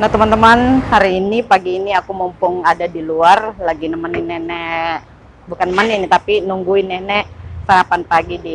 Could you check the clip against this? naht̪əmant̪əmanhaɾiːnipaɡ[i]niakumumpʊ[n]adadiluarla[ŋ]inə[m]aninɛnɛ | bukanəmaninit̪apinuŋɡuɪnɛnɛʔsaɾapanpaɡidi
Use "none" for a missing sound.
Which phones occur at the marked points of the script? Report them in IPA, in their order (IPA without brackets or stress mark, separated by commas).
iː, ŋ, ɡ, m